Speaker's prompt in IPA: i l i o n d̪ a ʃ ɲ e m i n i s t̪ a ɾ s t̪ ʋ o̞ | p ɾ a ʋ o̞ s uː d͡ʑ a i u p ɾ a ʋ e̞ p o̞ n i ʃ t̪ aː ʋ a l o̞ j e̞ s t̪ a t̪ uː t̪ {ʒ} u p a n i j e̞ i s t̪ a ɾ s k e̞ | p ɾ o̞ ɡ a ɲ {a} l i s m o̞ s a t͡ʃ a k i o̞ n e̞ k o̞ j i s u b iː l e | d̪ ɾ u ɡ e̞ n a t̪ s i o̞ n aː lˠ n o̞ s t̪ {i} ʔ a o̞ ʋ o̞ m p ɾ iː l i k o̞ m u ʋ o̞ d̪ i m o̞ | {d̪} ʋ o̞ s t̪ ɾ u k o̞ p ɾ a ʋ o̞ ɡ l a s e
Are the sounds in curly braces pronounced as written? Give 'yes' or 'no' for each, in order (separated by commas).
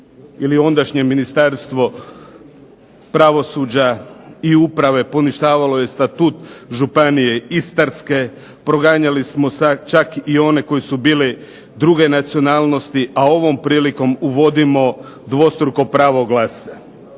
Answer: yes, yes, yes, yes